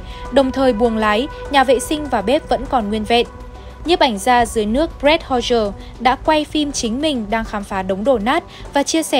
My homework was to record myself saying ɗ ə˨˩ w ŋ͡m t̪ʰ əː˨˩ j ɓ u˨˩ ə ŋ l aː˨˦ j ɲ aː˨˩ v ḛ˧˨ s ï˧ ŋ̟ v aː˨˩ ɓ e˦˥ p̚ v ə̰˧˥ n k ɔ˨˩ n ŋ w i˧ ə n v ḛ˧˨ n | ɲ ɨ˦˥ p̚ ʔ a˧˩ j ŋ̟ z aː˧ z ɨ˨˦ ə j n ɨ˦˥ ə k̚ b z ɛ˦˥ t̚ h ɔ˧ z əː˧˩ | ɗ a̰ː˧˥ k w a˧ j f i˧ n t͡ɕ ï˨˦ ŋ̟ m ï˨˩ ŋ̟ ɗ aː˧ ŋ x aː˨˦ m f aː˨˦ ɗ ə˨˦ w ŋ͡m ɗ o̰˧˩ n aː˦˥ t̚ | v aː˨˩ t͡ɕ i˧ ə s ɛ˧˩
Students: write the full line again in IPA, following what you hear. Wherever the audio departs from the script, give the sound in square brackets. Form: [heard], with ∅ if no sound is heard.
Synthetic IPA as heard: ɗ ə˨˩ w ŋ͡m t̪ʰ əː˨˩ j ɓ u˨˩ ə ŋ l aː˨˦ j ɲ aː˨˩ v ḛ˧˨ s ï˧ ŋ̟ v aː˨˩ ɓ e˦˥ p̚ v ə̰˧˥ n k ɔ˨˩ n ŋ w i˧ ə n v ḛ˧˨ n | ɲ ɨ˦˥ p̚ ʔ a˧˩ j ŋ̟ z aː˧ z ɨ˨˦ ə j n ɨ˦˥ ə k̚ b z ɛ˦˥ t̚ h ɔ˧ z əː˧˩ | ɗ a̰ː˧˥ k w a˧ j f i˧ [m] t͡ɕ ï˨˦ ŋ̟ m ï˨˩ ŋ̟ ɗ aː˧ ŋ x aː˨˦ m f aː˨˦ ɗ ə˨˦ w ŋ͡m ɗ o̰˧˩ n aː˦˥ t̚ | v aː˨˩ t͡ɕ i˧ ə s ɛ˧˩